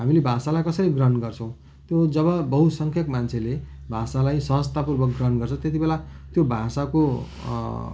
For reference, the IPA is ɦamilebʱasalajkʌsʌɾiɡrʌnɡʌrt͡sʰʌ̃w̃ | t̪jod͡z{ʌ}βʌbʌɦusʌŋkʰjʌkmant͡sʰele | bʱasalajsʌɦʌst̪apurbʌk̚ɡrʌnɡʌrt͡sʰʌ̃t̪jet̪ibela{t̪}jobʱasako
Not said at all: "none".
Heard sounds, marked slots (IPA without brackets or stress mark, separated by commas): ʌ, t̪